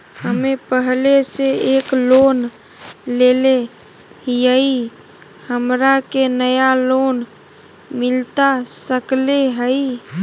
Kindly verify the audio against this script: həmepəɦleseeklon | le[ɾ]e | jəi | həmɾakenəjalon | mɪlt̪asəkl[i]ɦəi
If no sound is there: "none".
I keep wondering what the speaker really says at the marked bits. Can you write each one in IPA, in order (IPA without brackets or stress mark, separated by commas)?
l, e